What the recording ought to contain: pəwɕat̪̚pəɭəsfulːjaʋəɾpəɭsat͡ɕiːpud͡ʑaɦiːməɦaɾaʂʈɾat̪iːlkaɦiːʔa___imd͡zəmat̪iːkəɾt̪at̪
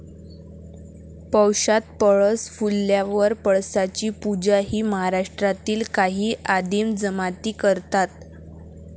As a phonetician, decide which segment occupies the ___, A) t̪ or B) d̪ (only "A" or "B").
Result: B